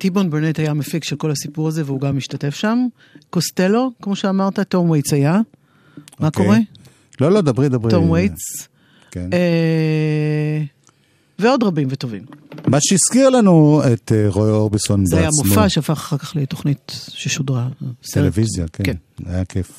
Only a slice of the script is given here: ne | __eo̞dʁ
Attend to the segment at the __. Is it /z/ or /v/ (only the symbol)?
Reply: v